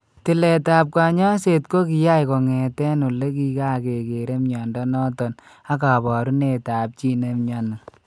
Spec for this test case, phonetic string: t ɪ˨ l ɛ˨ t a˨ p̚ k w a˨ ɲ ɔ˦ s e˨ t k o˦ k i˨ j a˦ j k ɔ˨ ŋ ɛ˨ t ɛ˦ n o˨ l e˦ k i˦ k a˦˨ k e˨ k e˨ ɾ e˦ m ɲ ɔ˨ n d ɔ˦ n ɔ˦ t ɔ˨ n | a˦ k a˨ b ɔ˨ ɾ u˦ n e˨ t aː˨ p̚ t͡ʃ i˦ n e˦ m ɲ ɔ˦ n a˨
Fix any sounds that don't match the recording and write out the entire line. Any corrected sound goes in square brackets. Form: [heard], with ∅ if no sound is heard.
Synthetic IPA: t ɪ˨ l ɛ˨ t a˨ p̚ k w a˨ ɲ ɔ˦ s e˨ t k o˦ k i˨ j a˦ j k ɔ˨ ŋ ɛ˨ t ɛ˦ n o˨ l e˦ k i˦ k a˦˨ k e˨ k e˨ ɾ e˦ m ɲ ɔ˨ n d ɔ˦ n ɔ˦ t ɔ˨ n | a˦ k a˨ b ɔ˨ ɾ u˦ n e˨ t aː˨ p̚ t͡ʃ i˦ n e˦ m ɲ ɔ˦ n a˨